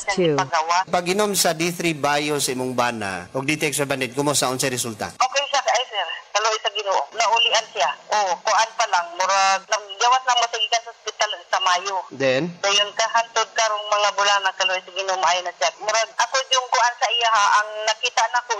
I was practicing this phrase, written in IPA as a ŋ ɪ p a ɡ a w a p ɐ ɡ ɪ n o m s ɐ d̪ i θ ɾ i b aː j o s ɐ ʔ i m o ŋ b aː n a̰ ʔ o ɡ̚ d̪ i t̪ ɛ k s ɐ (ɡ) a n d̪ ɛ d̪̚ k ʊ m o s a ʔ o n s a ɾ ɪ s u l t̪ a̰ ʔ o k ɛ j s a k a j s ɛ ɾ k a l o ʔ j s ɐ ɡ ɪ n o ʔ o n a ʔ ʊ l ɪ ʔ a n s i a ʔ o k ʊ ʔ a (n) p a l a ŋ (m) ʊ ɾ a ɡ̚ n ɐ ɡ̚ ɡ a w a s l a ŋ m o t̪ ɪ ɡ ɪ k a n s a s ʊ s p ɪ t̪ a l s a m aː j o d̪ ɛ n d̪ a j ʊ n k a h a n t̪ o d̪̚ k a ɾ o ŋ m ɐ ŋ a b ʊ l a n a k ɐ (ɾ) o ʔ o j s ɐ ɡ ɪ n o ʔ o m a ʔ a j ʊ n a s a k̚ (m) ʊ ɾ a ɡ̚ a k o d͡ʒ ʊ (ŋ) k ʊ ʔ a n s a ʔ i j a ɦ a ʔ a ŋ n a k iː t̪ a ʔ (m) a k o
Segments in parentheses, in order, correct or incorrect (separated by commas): incorrect, correct, correct, incorrect, correct, correct, incorrect